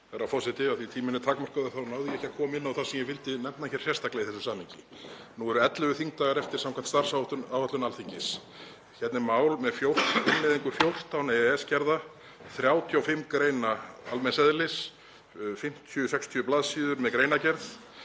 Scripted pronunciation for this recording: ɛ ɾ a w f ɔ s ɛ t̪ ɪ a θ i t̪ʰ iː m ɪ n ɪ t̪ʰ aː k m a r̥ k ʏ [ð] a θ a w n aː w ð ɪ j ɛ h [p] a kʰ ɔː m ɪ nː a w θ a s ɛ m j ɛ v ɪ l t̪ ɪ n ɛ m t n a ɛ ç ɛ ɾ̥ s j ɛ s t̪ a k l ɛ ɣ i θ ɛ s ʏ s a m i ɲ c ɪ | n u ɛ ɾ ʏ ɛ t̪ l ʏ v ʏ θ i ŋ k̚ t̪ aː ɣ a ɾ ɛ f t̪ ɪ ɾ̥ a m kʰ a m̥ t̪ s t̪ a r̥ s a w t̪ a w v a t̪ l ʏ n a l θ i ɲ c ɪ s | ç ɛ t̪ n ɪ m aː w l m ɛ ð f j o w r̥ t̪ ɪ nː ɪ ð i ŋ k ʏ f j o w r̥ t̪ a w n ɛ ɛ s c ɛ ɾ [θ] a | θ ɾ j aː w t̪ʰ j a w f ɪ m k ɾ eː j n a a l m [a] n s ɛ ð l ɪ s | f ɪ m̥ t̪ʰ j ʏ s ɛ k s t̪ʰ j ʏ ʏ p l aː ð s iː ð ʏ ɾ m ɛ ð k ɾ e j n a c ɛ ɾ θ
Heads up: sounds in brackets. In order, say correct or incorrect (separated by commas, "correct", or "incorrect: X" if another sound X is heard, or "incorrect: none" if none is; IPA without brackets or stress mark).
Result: correct, incorrect: c, incorrect: ð, incorrect: ɛ